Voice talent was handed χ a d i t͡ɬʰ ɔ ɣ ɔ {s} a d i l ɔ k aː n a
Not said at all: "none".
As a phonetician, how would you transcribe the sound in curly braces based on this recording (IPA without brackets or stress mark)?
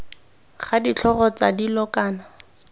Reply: t͡s